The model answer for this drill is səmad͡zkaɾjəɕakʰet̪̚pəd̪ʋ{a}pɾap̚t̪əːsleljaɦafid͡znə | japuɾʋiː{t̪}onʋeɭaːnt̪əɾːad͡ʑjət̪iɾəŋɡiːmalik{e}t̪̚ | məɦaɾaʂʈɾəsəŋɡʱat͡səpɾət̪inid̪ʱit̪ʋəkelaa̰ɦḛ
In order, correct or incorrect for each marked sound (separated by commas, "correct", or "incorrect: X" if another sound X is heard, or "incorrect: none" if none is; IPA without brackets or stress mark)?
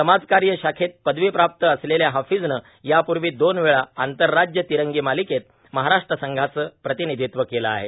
incorrect: i, incorrect: d̪, correct